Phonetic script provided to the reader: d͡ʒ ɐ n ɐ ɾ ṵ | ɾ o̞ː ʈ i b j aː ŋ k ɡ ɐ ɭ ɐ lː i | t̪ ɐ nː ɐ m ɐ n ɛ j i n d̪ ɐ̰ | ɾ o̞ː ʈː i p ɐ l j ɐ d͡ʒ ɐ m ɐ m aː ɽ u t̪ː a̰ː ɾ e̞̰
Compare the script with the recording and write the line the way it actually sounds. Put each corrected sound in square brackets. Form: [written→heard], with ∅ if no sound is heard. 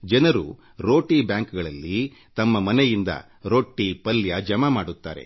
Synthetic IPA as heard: d͡ʒ ɐ n ɐ ɾ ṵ | ɾ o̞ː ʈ i b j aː ŋ k ɡ ɐ ɭ ɐ lː i | t̪ ɐ [nː→mː] ɐ m ɐ n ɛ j i n d̪ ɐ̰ | ɾ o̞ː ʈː i p ɐ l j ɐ d͡ʒ ɐ m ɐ m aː ɽ u t̪ː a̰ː ɾ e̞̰